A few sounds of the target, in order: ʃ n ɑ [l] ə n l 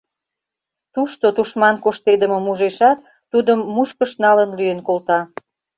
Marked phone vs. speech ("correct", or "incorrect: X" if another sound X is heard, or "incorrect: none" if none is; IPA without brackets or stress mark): correct